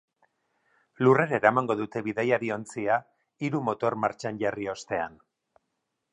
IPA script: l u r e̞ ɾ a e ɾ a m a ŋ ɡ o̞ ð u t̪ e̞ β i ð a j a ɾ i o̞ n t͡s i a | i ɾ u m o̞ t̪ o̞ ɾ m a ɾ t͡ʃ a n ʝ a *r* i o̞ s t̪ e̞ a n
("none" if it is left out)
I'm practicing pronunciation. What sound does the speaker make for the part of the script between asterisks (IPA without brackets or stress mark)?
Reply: r